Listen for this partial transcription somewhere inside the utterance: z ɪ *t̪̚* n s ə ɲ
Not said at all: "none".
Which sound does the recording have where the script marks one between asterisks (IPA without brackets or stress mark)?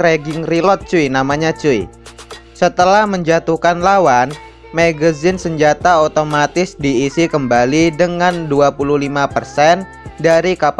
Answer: none